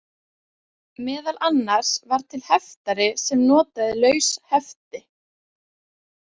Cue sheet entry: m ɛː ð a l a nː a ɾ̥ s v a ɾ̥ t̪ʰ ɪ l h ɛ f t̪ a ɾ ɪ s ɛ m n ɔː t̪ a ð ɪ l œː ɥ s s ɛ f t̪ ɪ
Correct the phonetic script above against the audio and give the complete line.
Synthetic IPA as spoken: m ɛː ð a l a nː a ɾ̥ s v a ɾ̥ t̪ʰ ɪ l h ɛ f t̪ a ɾ ɪ s ɛ m n ɔː t̪ a ð ɪ l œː ɥ s h ɛ f t̪ ɪ